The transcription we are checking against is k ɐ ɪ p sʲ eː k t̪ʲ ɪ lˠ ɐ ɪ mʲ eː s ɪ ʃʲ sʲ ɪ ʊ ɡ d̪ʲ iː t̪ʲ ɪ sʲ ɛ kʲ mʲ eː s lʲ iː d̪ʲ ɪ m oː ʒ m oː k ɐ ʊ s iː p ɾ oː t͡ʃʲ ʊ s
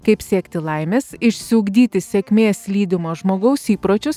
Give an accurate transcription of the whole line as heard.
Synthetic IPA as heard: k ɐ ɪ p sʲ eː k t̪ʲ ɪ lˠ ɐ ɪ mʲ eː s ɪ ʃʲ sʲ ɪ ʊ ɡ d̪ʲ iː t̪ʲ ɪ sʲ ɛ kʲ mʲ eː s lʲ iː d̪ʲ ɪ m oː ʒ m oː ɡ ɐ ʊ s iː p ɾ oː t͡ʃʲ ʊ s